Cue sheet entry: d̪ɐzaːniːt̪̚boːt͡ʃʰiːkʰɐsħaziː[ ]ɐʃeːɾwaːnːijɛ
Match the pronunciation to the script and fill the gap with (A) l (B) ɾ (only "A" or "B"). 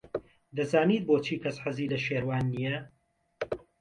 A